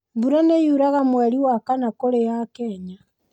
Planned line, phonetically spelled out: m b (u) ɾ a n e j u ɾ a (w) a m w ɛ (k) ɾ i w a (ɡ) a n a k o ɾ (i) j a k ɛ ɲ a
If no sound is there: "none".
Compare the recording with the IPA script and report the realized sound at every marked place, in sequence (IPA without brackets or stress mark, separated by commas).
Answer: u, ɣ, none, k, e